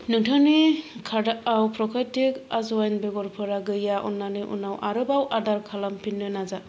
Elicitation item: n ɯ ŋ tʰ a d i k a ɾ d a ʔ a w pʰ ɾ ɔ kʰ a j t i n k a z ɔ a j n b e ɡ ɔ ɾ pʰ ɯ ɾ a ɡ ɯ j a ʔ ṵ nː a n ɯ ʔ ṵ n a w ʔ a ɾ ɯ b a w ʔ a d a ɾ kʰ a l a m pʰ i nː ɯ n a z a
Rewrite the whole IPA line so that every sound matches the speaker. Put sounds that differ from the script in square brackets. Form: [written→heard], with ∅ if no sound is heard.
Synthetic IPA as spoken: n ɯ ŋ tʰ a [d→n] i [k→kʰ] a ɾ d a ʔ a w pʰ ɾ ɔ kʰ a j t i [n→∅] k a z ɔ a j n b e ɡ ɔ ɾ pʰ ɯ ɾ a ɡ ɯ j a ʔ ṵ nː a n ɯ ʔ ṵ n a w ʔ a ɾ ɯ b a w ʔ a d a ɾ kʰ a l a m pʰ i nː ɯ n a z a